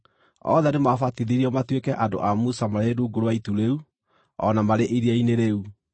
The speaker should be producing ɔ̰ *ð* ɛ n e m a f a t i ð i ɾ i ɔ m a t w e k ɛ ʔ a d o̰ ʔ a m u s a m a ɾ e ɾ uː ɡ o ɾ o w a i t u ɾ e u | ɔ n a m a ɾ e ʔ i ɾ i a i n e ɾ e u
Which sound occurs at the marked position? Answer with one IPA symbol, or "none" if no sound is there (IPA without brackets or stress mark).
ð